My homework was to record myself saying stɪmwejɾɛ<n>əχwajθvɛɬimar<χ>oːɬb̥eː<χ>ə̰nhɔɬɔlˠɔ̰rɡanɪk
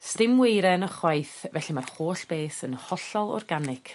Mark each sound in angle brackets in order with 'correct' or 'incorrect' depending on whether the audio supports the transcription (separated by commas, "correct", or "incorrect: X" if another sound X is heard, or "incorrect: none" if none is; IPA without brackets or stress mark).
correct, correct, incorrect: s